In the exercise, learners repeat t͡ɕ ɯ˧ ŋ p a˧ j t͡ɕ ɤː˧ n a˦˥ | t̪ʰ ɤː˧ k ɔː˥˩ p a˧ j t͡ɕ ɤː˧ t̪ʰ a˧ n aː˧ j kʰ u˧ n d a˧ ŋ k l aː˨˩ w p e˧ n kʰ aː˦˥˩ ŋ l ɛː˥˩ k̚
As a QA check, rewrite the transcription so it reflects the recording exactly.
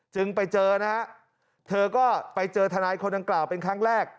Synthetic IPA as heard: t͡ɕ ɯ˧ ŋ p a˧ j t͡ɕ ɤː˧ n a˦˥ | t̪ʰ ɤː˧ k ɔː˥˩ p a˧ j t͡ɕ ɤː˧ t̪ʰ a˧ n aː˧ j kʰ o˧ n d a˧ ŋ k l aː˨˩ w p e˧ n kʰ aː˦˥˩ ŋ ɾ ɛː˥˩ k̚